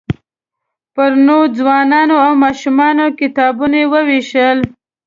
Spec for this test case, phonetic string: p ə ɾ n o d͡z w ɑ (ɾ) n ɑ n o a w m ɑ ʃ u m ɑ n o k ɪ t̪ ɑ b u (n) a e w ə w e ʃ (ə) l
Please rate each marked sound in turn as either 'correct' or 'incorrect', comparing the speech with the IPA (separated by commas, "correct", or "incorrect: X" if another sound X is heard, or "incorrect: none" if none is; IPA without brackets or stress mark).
incorrect: none, correct, correct